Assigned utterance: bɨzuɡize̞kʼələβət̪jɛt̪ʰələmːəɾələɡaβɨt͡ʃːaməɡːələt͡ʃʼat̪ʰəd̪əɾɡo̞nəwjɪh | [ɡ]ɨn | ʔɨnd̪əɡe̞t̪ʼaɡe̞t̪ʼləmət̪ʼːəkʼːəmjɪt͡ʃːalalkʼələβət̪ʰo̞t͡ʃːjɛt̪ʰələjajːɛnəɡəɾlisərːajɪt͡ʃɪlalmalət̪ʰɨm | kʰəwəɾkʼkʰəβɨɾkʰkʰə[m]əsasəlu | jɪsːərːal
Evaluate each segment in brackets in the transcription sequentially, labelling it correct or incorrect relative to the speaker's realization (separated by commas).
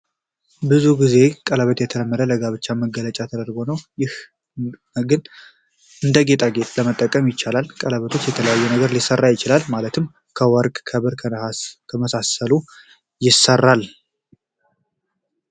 correct, correct